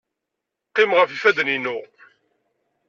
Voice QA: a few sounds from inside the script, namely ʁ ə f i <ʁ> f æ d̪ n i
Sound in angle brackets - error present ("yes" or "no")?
yes